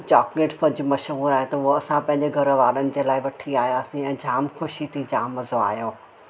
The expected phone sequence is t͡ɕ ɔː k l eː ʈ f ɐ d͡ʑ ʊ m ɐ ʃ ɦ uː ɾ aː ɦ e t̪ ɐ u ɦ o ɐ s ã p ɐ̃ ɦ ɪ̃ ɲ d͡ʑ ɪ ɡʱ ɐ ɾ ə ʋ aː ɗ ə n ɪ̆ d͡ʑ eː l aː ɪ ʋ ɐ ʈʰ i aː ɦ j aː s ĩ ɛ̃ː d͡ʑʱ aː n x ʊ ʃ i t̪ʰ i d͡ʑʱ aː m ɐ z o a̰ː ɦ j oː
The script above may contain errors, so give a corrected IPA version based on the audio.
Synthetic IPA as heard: t͡ɕ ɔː k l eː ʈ f ɐ d͡ʑ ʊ m ɐ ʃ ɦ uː ɾ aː ɦ e t̪ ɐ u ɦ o ɐ s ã p ɐ̃ ɦ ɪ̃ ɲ d͡ʑ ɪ ɡʱ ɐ ɾ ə ʋ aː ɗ ə n ɪ̆ d͡ʑ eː l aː ɪ ʋ ɐ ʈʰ i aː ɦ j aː s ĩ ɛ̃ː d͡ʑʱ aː m x ʊ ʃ i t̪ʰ i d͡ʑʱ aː m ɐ z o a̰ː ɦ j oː